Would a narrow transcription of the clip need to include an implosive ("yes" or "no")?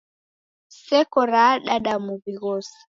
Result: yes